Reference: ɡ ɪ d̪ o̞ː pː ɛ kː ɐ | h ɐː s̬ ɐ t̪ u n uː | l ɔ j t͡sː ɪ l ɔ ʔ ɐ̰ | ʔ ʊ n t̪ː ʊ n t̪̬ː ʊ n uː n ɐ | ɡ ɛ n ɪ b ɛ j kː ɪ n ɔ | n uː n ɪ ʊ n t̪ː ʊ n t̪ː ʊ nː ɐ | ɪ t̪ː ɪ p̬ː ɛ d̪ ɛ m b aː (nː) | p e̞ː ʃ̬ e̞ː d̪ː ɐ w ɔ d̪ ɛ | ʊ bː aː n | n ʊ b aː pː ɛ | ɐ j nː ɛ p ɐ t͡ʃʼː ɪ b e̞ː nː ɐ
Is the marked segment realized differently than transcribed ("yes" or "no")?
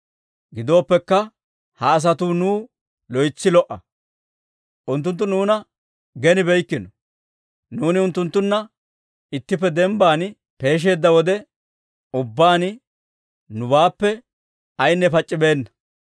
yes